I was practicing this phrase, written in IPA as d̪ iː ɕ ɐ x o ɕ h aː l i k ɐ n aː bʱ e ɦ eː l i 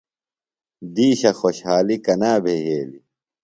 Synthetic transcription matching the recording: d̪ iː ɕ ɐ x o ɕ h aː l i k ɐ n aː bʱ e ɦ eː l i